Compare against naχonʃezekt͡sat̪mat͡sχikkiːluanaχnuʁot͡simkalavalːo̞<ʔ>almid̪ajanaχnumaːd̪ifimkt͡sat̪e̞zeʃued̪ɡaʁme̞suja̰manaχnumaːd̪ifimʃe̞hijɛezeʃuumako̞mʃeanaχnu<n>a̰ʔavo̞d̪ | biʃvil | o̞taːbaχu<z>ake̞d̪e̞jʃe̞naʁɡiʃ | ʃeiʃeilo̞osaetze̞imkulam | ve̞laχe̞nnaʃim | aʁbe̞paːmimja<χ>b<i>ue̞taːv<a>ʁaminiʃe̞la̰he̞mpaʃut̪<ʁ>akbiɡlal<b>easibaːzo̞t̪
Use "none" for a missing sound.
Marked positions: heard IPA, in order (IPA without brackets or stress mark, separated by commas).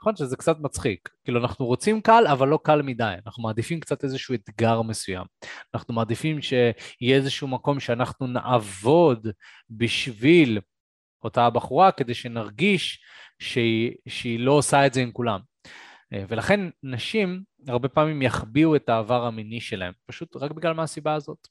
k, n, ʁ, χ, i, a, ʁ, m